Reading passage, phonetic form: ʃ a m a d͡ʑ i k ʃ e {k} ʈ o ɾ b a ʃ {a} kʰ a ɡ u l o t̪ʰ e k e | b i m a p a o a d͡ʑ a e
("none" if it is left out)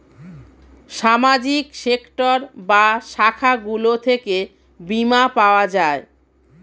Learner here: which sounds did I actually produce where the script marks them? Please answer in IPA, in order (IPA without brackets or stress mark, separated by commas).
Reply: k, a